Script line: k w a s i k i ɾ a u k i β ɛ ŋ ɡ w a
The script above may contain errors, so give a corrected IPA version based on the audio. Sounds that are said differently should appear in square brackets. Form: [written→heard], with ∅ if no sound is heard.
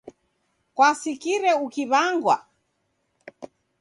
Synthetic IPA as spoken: k w a s i k i ɾ [a→ɛ] u k i β [ɛ→a] ŋ ɡ w a